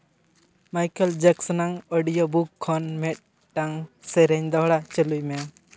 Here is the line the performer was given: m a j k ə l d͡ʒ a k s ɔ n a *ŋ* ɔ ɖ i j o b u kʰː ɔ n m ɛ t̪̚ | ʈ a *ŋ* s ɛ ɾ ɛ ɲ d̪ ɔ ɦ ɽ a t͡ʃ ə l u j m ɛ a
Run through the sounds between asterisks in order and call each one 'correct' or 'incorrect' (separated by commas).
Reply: correct, correct